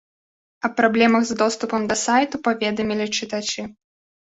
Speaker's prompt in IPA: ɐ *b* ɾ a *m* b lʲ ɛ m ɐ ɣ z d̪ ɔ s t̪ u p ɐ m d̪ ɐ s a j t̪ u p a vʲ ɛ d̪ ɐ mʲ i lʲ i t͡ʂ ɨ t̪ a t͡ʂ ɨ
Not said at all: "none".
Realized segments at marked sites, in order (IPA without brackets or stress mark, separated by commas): p, none